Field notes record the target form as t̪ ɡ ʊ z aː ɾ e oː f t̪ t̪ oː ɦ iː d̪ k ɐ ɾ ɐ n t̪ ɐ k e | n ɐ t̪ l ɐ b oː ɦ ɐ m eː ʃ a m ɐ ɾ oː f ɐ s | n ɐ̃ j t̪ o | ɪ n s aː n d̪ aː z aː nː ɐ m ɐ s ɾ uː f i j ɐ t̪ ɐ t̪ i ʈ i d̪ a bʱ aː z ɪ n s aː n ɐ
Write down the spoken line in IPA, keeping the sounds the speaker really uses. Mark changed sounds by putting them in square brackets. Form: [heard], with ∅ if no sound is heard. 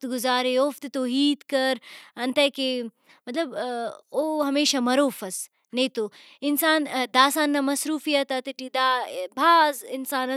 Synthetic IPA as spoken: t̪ ɡ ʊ z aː ɾ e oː f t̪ t̪ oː ɦ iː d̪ k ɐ ɾ ɐ n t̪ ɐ k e | [m] ɐ t̪ l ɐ b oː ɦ ɐ m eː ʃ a m ɐ ɾ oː f ɐ s | n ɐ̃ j t̪ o | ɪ n s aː n d̪ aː [s] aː nː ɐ m ɐ s ɾ uː f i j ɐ t̪ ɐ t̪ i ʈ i d̪ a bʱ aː z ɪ n s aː n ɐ